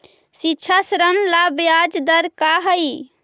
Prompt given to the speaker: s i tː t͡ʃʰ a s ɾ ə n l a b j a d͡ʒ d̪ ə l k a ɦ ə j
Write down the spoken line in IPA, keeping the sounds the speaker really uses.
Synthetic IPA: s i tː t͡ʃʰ a s ɾ ə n l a b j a d͡ʒ d̪ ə ɾ k a ɦ ə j